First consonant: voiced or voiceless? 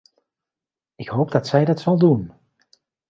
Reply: voiceless